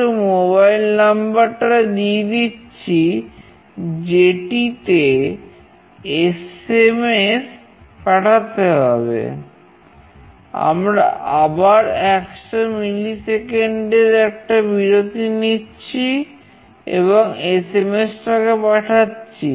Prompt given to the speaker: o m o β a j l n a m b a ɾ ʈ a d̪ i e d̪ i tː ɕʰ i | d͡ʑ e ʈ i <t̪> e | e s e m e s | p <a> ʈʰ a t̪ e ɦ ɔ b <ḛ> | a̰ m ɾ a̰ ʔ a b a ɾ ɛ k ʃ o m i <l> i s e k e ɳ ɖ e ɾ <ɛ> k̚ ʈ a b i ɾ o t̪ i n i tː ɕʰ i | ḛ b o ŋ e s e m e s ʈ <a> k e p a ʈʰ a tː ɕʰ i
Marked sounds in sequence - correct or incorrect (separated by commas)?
correct, correct, correct, correct, correct, correct